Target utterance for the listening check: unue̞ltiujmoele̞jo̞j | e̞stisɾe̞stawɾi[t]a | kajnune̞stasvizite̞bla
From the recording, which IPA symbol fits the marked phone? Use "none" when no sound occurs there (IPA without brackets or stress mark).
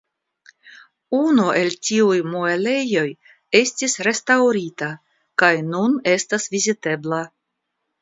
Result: t